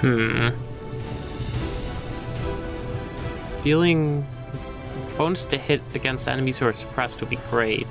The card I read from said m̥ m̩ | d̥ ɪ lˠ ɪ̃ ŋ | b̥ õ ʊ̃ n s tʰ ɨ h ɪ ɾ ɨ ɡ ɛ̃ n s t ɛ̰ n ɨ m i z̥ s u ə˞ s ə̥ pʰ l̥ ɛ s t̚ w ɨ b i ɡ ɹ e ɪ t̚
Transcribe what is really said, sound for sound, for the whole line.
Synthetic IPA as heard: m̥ m̩ | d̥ i lˠ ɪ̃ ŋ | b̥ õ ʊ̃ n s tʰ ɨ h ɪ ɾ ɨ ɡ ɛ̃ n s t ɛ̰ n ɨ m i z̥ h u ə˞ s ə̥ pʰ ɹ̥ ɛ s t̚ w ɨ b i ɡ ɹ e ɪ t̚